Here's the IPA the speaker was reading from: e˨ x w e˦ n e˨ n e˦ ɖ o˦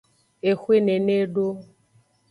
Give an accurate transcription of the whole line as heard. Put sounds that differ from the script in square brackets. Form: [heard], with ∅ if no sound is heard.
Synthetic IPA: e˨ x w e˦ n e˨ n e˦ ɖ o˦